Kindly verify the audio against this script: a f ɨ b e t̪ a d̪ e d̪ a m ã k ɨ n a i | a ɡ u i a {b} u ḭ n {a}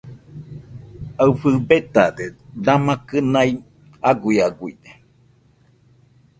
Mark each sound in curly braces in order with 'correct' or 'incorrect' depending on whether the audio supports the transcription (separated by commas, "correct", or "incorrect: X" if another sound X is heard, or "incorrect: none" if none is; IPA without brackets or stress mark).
incorrect: ɡ, incorrect: e